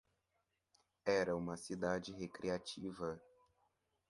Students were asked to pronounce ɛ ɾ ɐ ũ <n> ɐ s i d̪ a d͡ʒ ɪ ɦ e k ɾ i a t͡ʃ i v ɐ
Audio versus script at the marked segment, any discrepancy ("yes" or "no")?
yes